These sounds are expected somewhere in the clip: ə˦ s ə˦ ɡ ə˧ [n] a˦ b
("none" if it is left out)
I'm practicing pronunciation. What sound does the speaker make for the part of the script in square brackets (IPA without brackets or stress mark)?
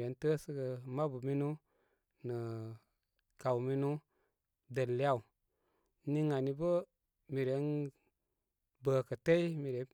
m